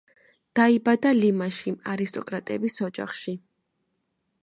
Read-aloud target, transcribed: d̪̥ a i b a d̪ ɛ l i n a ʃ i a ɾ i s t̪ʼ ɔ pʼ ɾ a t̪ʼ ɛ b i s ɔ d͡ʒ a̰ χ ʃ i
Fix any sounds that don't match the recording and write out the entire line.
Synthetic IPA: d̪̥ a i b a d̪ a l i m a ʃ i a ɾ i s t̪ʼ ɔ kʼ ɾ a t̪ʼ ɛ b i s ɔ d͡ʒ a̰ χ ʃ i